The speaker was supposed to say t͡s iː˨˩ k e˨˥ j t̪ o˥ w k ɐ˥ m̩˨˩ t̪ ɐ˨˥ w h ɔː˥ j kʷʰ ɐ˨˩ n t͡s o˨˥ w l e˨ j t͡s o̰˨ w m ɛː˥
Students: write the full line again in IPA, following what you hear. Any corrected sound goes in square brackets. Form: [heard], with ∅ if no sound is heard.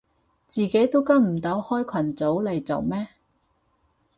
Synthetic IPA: t͡s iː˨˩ k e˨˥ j t̪ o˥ w k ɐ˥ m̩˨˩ t̪ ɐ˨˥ w h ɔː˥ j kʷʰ ɐ˨˩ n t͡s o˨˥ w l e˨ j t͡s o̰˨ w m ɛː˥